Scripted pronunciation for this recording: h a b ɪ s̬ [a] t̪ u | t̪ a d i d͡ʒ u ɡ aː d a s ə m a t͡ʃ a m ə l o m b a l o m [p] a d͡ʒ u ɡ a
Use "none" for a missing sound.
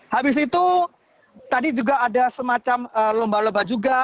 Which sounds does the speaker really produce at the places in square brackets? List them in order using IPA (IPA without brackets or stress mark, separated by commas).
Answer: i, b